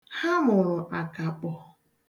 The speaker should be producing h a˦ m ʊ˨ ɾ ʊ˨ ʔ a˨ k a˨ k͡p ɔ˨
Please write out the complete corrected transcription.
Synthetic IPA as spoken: h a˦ m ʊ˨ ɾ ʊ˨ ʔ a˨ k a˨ k͡p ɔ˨